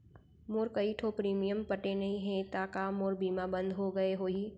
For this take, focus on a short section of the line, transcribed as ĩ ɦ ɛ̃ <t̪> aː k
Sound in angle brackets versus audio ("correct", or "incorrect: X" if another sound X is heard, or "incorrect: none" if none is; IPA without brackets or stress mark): correct